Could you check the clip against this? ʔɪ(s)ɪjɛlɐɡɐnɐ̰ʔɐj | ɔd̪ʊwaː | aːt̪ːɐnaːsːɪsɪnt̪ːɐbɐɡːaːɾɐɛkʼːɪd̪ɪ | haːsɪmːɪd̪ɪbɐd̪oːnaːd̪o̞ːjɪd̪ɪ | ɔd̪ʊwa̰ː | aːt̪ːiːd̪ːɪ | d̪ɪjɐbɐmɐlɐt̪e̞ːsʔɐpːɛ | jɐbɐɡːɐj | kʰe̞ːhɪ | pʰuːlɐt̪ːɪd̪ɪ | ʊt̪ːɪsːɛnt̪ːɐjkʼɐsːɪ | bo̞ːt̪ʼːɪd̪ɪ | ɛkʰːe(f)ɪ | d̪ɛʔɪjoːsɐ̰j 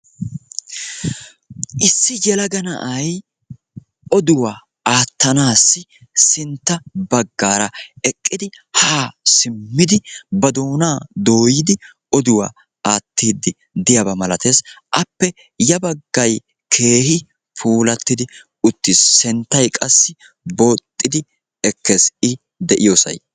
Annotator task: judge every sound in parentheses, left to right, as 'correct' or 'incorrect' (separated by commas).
incorrect, incorrect